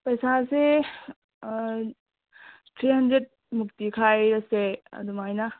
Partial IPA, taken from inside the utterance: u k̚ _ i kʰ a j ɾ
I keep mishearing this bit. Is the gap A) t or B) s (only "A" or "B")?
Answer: A